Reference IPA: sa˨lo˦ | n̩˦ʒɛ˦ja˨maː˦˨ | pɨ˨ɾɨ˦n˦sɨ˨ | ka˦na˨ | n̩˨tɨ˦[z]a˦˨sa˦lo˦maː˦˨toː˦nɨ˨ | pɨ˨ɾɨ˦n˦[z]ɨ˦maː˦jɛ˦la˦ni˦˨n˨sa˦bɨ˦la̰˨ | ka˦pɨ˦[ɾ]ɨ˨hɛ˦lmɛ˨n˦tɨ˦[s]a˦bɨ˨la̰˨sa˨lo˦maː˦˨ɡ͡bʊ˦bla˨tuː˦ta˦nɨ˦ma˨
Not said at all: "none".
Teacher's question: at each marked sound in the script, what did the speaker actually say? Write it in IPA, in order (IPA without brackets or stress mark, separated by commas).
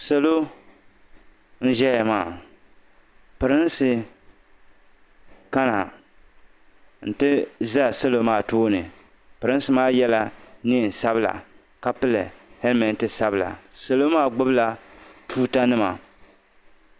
z, s, l, s